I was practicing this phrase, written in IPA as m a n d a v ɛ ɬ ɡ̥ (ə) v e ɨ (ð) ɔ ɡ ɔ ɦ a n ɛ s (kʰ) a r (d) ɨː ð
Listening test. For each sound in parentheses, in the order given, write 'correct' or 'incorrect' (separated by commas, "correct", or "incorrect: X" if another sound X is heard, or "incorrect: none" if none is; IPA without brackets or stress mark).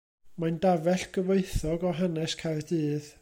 correct, incorrect: θ, correct, correct